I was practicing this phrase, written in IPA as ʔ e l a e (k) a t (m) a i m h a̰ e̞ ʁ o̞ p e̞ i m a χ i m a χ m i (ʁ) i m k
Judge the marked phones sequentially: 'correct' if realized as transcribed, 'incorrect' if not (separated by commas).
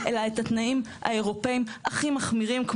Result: incorrect, incorrect, correct